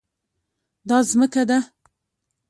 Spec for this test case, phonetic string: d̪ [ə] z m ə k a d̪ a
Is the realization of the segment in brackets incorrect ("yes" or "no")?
yes